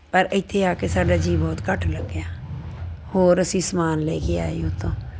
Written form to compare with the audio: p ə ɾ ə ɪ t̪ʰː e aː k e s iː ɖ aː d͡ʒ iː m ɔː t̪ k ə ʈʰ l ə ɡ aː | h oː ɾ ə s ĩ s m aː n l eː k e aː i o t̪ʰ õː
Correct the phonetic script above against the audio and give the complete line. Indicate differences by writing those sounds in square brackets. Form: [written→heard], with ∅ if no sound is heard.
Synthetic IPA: p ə ɾ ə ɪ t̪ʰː e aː k e s [iː→aː] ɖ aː d͡ʒ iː [m→b] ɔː t̪ k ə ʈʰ l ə ɡ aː | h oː ɾ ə s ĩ s m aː n l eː k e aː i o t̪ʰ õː